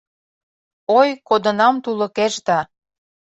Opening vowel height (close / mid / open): mid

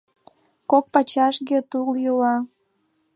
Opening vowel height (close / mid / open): mid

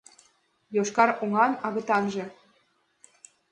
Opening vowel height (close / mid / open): mid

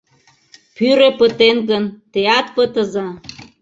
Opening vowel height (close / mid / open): close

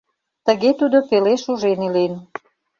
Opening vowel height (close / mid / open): mid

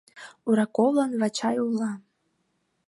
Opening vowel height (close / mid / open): close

